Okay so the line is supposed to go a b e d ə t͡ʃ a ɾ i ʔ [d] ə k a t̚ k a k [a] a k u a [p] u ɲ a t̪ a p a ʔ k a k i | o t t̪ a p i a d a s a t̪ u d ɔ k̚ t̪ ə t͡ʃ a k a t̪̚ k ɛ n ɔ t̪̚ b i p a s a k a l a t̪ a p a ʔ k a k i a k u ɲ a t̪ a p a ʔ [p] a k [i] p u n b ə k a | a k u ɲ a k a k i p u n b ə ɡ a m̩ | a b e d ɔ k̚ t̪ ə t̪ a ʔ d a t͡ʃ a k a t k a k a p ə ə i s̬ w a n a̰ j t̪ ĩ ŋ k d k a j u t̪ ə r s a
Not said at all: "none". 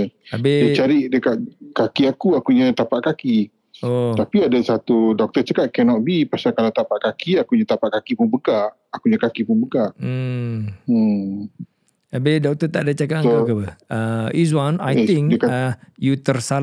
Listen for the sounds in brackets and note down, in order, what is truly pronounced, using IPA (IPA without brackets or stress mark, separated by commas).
d, i, k, k, i